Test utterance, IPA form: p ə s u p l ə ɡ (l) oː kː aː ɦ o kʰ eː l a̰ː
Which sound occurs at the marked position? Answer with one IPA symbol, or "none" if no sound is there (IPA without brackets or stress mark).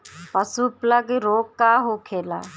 ɾ